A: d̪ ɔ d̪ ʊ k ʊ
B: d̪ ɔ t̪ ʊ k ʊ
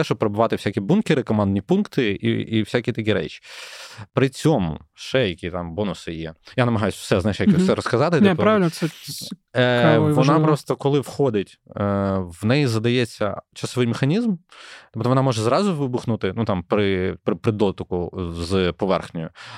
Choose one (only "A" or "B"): B